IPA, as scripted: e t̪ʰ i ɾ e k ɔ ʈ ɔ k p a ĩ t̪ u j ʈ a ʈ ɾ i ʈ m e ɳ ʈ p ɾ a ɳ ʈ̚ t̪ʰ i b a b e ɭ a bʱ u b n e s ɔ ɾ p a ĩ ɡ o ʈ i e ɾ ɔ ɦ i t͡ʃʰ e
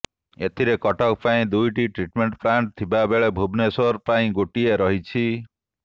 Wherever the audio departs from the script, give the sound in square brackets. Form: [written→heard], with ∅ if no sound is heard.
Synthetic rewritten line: e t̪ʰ i ɾ e k ɔ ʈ ɔ k p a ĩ [t̪→d̪] u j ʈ [a→i] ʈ ɾ i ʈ m e ɳ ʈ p ɾ a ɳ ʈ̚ t̪ʰ i b a b e ɭ [a→e] bʱ u b n e s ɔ ɾ p a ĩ ɡ o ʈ i e ɾ ɔ ɦ i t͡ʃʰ [e→i]